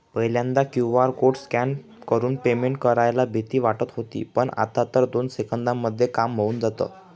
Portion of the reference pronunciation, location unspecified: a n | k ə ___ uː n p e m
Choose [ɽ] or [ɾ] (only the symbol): ɾ